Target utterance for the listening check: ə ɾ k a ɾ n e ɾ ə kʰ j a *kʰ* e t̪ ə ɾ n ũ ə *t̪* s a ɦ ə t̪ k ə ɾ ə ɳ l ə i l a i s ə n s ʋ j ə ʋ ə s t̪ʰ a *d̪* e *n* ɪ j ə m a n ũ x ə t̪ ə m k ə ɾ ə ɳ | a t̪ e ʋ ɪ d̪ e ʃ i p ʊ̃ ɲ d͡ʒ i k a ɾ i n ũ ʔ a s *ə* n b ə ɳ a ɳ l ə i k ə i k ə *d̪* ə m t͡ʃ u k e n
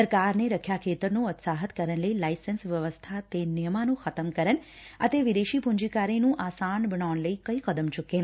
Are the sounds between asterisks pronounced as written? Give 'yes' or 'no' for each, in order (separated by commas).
yes, yes, no, yes, no, yes